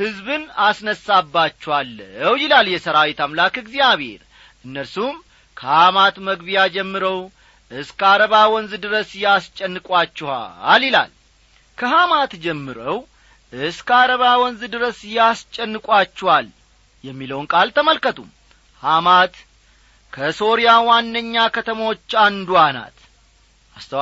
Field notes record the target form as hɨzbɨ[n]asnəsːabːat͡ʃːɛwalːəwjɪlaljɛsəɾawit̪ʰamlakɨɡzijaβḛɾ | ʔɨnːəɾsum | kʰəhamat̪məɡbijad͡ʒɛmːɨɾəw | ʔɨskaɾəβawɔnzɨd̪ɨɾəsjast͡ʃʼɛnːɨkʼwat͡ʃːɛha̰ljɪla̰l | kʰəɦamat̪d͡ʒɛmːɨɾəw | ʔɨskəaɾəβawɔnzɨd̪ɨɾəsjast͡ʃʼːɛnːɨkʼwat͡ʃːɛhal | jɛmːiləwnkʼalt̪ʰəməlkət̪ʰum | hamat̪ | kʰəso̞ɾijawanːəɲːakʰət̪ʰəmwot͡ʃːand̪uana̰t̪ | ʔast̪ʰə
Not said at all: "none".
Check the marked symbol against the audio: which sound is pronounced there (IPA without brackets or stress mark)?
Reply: n